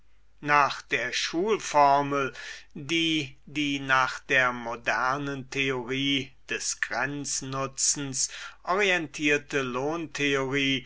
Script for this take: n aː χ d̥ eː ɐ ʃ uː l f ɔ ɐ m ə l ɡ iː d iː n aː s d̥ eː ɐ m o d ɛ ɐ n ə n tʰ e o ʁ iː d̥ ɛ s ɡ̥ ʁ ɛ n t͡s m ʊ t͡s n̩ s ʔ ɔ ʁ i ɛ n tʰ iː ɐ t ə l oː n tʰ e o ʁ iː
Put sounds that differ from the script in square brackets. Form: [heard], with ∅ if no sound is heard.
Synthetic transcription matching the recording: n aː χ d̥ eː ɐ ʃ uː l f ɔ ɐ m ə l [d] iː d iː n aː [χ] d̥ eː ɐ m o d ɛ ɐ n ə n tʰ e o ʁ iː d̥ ɛ s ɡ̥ ʁ ɛ n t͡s [n] ʊ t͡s n̩ s ʔ ɔ ʁ i ɛ n tʰ iː ɐ t ə l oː n tʰ e o ʁ iː